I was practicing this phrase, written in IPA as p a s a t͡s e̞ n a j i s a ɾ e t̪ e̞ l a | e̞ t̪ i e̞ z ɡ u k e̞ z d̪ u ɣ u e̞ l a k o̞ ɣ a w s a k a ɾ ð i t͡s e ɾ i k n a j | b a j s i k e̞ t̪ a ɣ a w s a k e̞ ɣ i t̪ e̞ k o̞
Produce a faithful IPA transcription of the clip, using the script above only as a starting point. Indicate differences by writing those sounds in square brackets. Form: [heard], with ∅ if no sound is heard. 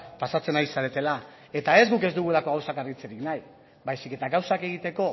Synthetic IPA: p a s a t͡s e̞ n a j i s a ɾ e t̪ e̞ l a | e̞ t̪ [a] e̞ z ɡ u k e̞ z d̪ u ɣ u e̞ l a k o̞ ɣ a w s a k a ɾ [ɣ] i t͡s e ɾ i k n a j | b a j s i k e̞ t̪ a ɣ a w s a k e̞ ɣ i t̪ e̞ k o̞